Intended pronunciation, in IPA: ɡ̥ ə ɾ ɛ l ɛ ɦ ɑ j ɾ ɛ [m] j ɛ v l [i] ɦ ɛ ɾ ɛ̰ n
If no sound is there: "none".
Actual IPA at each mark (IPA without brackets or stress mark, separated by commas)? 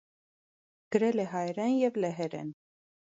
n, ɛ